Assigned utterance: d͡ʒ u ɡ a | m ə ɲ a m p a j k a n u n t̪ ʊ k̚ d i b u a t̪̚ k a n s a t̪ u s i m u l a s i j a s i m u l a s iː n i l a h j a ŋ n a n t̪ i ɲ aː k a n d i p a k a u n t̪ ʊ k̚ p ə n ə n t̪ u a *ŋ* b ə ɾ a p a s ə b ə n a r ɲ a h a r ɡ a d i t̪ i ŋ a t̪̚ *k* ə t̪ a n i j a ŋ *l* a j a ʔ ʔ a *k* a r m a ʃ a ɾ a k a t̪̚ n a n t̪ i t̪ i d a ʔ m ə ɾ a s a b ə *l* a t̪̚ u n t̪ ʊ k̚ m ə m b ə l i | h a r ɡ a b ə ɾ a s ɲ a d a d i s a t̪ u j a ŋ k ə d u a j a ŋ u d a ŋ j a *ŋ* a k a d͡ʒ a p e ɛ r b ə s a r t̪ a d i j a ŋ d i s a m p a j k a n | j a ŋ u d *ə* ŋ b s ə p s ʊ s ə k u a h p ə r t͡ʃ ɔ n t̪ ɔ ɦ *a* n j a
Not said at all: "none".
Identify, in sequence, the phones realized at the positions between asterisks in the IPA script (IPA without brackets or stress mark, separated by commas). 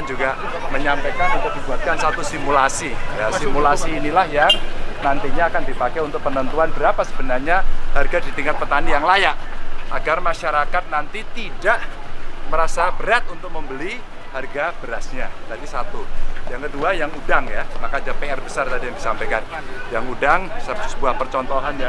n, p, l, ɡ, ɾ, m, a, a